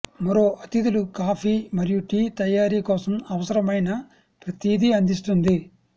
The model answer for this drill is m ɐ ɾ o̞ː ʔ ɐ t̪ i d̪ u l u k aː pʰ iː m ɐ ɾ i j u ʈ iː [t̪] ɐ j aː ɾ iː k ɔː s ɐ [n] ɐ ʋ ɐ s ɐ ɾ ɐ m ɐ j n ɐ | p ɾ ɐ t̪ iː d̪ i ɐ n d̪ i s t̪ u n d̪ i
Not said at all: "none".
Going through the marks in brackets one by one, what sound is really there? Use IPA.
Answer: t̪, m

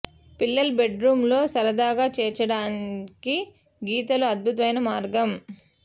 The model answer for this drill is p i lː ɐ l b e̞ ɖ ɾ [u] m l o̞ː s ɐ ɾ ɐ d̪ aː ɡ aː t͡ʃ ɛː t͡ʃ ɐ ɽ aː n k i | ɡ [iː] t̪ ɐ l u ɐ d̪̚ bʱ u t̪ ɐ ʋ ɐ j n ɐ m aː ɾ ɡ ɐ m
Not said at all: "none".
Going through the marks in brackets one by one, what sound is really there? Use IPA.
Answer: uː, iː

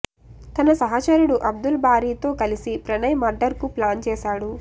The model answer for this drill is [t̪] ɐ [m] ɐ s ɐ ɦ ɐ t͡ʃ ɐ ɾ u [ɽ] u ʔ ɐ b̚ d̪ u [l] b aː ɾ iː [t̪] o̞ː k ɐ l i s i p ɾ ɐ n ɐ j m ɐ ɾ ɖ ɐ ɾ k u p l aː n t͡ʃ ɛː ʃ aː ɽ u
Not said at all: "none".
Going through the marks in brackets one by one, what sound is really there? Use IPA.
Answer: t̪, n, ɽ, l, t̪

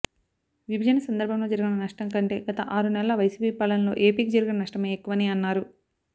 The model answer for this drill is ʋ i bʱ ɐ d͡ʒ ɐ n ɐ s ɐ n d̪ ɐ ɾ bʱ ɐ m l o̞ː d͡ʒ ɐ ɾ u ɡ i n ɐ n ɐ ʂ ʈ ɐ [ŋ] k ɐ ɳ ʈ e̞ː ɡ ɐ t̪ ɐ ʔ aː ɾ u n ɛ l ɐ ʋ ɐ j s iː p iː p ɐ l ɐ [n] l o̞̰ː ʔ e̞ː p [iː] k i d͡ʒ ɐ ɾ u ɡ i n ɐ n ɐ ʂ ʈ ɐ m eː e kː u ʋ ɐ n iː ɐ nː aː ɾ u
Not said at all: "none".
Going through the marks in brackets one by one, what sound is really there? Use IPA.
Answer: ŋ, n, iː

